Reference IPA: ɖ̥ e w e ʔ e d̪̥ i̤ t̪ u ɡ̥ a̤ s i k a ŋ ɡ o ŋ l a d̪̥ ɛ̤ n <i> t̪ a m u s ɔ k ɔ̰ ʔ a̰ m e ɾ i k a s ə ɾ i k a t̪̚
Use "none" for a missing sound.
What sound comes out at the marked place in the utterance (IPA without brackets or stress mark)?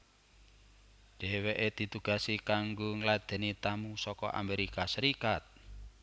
i